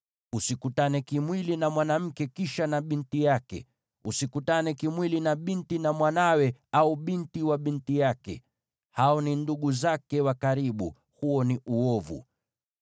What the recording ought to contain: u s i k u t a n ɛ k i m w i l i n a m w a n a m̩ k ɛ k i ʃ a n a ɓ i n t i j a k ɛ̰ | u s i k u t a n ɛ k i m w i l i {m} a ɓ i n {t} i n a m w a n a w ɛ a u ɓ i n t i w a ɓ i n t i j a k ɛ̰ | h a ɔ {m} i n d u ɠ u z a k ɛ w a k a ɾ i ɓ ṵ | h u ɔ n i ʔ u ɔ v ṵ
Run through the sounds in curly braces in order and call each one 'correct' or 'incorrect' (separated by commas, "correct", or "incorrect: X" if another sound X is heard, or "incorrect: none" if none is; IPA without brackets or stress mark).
incorrect: n, correct, incorrect: n